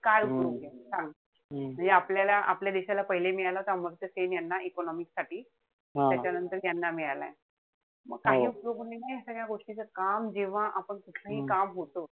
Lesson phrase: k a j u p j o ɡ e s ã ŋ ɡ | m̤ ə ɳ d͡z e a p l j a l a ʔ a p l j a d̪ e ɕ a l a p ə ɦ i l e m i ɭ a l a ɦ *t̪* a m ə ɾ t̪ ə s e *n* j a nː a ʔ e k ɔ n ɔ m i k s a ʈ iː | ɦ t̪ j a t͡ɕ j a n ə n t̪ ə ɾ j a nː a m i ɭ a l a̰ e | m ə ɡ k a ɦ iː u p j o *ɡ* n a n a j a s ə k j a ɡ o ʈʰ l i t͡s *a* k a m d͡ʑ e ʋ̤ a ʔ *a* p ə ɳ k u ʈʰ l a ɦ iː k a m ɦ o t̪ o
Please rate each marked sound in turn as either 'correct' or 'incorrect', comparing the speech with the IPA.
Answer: correct, correct, correct, incorrect, correct

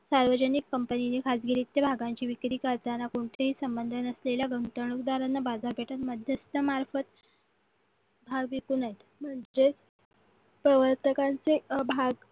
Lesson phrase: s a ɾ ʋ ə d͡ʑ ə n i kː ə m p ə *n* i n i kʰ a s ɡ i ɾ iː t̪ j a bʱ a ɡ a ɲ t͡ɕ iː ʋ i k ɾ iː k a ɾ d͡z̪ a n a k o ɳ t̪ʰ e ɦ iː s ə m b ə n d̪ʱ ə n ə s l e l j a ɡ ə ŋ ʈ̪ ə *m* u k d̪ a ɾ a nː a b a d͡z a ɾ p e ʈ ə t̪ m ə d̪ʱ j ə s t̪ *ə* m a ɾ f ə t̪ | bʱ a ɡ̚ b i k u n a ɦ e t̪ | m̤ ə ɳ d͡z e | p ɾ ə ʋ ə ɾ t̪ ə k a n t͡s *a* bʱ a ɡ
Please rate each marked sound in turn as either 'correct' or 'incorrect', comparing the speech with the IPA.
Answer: correct, incorrect, correct, incorrect

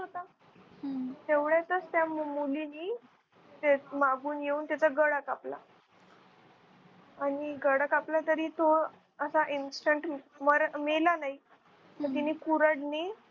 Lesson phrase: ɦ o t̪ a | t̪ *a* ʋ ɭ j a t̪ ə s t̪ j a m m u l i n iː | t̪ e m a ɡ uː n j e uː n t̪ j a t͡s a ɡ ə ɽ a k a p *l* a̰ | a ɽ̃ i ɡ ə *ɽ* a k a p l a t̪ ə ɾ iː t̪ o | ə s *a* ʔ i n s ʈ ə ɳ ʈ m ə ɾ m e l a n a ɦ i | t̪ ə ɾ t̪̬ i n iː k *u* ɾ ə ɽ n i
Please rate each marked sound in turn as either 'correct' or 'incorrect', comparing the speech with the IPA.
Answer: incorrect, correct, correct, correct, correct

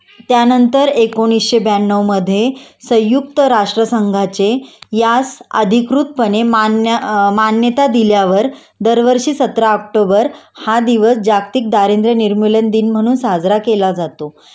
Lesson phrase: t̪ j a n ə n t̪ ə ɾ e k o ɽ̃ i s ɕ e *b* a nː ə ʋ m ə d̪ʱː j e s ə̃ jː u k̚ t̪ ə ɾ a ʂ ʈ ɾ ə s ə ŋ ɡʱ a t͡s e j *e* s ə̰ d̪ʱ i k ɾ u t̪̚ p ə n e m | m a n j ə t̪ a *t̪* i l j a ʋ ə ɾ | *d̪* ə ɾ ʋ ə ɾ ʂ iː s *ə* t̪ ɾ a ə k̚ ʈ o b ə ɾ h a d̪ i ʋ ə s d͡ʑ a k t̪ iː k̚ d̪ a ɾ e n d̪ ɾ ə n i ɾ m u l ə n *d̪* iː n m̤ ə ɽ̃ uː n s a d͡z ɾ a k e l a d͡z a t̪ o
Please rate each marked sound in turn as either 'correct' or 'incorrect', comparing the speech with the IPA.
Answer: correct, incorrect, incorrect, correct, correct, correct

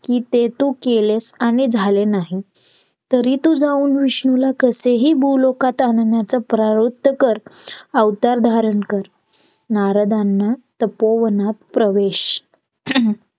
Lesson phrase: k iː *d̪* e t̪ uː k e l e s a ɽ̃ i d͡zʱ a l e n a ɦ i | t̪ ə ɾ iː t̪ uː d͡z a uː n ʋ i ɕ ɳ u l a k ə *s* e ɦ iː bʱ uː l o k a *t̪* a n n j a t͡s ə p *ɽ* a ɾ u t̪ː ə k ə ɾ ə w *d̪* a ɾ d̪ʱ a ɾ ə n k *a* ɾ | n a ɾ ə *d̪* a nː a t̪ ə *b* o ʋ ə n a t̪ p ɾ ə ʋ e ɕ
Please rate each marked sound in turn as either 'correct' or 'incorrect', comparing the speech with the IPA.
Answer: incorrect, correct, correct, incorrect, incorrect, incorrect, correct, incorrect

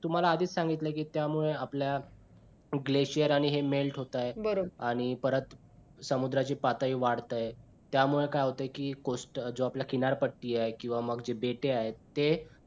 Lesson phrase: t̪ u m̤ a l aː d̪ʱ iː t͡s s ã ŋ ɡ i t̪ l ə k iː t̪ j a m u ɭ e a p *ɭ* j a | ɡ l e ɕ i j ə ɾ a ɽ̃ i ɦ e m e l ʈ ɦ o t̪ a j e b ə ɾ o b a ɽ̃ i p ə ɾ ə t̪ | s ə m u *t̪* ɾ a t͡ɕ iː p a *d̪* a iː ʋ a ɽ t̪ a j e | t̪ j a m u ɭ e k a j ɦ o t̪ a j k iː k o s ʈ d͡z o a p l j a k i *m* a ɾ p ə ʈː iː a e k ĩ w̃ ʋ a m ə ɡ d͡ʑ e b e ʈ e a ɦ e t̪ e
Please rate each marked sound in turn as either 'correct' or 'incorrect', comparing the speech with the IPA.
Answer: incorrect, incorrect, incorrect, incorrect

